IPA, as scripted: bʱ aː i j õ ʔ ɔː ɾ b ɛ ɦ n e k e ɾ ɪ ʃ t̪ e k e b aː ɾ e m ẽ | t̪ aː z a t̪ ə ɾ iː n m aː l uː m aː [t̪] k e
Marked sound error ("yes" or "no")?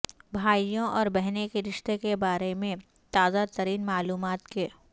no